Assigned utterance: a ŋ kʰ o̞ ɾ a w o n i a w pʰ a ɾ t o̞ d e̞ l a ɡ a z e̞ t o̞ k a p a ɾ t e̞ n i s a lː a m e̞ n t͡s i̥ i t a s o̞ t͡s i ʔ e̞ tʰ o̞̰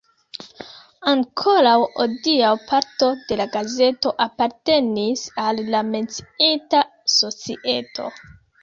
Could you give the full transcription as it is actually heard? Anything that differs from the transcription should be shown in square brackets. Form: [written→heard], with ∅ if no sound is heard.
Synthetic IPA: a ŋ kʰ o̞ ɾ a w o [n→d] i a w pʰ a ɾ t o̞ d e̞ l a ɡ a z e̞ t o̞ [k→ʔ] a p a ɾ t e̞ n i s a lː a m e̞ n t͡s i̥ i t a s o̞ t͡s i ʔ e̞ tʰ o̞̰